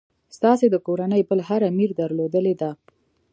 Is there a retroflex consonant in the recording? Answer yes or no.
no